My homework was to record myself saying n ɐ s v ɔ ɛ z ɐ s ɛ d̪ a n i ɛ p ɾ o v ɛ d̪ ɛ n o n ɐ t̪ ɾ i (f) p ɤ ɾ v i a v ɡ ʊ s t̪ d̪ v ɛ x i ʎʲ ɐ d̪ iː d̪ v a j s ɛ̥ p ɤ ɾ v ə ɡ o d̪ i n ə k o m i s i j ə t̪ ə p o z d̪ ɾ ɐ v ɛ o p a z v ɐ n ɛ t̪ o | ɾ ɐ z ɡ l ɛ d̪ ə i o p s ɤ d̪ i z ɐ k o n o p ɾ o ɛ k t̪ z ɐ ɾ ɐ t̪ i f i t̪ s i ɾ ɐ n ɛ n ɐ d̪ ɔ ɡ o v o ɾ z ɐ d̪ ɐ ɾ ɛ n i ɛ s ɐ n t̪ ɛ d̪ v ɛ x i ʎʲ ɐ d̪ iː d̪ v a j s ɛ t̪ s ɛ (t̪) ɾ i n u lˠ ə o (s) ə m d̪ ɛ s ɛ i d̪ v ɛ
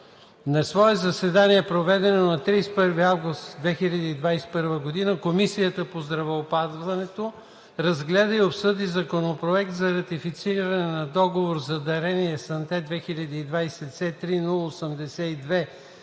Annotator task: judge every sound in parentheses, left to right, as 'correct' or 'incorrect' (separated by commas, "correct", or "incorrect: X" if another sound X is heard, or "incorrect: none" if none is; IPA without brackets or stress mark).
incorrect: s, correct, correct